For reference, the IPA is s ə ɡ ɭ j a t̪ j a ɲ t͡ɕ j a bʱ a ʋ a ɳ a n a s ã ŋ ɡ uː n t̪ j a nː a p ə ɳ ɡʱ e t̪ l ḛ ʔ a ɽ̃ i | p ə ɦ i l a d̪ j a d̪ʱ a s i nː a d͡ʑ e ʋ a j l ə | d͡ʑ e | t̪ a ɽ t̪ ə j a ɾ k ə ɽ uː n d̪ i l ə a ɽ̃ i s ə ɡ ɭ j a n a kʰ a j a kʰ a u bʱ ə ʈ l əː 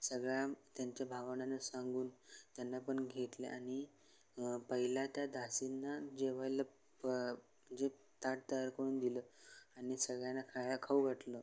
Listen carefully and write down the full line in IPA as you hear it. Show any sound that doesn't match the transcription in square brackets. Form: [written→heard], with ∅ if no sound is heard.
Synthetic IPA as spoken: s ə ɡ ɭ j a t̪ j a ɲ t͡ɕ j a bʱ a ʋ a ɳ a n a s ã ŋ ɡ uː n t̪ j a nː a p ə ɳ ɡʱ e t̪ l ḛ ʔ a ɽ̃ i | p ə ɦ i l a [d̪→t̪] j a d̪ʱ a s i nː a d͡ʑ e ʋ a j l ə | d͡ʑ e | t̪ a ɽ t̪ ə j a ɾ k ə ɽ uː n d̪ i l ə a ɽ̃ i s ə ɡ ɭ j a n a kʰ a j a kʰ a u [bʱ→ɡʱ] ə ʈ l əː